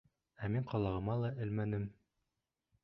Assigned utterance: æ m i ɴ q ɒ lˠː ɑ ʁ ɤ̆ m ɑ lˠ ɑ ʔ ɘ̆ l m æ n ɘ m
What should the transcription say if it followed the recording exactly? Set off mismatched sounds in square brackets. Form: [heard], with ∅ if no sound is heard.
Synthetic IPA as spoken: æ m i ɴ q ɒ [lˠ] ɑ ʁ ɤ̆ m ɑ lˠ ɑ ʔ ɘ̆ l m æ n ɘ m